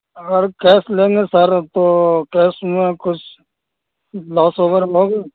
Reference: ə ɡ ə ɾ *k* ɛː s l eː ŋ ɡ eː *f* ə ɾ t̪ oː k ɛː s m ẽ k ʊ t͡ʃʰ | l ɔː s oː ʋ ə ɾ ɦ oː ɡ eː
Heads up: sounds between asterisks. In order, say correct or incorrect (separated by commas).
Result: correct, incorrect